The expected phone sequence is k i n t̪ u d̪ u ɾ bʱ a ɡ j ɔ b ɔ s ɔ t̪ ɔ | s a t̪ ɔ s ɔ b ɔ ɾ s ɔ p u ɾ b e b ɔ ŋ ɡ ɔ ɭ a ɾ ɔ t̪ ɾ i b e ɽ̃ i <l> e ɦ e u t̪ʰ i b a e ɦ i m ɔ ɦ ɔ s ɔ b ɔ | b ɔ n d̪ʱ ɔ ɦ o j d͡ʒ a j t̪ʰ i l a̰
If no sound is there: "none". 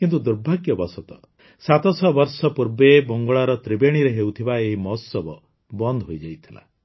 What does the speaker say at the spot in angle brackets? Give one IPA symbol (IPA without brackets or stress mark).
ɾ